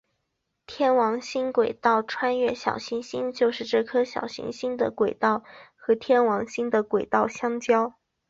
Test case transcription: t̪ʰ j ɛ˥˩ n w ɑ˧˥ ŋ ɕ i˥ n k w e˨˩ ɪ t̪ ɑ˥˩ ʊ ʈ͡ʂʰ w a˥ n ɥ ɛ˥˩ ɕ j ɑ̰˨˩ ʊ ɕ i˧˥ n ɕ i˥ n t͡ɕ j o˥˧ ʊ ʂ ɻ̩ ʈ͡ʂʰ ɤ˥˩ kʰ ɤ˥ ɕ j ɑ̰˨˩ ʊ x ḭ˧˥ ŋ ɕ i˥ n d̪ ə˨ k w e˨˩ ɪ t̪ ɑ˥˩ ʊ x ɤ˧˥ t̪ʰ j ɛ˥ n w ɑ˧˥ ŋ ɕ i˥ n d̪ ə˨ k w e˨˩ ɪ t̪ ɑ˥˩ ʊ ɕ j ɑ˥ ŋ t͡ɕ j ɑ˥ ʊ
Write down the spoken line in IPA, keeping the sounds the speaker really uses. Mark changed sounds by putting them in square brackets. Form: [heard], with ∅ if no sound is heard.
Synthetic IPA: t̪ʰ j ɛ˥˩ n w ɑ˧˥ ŋ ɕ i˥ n k w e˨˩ ɪ t̪ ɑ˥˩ ʊ ʈ͡ʂʰ w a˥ n ɥ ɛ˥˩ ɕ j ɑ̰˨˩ ʊ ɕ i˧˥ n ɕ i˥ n t͡ɕ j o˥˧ ʊ ʂ ɻ̩ [ʈ͡ʂ] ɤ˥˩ kʰ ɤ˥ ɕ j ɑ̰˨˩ ʊ [ɕ] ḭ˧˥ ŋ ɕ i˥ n d̪ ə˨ k w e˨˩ ɪ t̪ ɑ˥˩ ʊ x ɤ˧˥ t̪ʰ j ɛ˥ n w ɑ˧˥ ŋ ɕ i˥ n d̪ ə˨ k w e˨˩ ɪ t̪ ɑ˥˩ ʊ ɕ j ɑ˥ ŋ t͡ɕ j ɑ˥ ʊ